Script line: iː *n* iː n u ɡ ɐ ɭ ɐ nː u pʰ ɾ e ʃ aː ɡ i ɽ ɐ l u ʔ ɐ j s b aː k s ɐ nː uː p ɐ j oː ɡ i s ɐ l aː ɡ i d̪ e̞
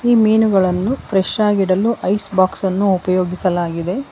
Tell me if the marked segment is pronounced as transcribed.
no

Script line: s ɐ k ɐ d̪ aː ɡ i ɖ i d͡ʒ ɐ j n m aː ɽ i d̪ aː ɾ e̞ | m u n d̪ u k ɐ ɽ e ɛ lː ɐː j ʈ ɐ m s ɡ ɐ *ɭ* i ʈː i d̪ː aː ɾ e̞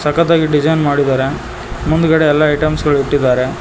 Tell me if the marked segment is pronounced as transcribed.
yes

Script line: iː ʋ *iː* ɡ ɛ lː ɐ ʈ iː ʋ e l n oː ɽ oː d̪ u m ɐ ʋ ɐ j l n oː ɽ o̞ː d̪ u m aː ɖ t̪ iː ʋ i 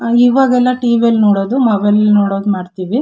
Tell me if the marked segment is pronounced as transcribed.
no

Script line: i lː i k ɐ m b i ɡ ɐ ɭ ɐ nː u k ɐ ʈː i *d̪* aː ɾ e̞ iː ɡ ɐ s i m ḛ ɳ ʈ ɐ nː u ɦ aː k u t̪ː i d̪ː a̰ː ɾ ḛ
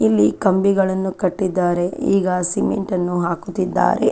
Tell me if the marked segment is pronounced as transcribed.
no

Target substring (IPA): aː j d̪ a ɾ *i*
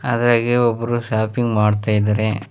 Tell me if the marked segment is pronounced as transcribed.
no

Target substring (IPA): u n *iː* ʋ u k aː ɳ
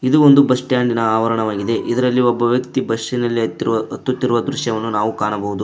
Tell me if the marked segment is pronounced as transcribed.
no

